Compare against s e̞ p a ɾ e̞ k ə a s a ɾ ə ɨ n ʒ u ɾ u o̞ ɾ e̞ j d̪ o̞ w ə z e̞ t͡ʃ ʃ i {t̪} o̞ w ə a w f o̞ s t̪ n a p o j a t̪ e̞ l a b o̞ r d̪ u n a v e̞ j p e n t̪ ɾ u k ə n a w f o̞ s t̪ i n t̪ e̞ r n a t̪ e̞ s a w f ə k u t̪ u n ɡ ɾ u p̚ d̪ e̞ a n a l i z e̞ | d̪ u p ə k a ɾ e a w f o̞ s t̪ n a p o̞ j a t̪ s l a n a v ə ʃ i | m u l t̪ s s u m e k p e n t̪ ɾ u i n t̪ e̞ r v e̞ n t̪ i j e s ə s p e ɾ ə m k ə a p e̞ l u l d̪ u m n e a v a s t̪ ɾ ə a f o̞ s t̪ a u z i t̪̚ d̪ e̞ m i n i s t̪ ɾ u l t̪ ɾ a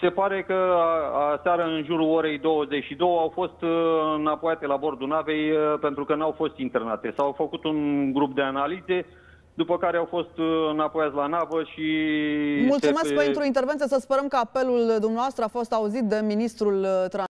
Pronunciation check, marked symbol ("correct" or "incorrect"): incorrect